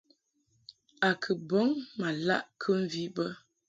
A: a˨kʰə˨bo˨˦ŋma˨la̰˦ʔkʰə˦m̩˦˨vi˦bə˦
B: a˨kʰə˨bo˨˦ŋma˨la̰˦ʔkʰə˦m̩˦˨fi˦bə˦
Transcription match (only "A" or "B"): A